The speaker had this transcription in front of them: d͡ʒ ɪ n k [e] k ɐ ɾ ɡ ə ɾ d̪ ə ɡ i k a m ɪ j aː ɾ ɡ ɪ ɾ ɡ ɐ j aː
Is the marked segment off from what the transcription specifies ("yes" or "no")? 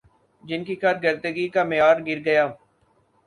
yes